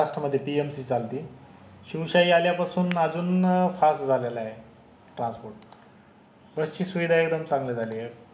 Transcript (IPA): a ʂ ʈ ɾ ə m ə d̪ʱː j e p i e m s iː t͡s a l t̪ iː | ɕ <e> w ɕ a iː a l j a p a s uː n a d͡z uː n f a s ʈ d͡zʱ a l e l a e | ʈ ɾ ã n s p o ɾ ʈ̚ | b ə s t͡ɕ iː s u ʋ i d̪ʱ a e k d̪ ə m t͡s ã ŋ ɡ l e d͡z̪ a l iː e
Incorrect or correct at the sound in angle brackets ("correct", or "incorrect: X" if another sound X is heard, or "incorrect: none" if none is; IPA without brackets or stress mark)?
incorrect: i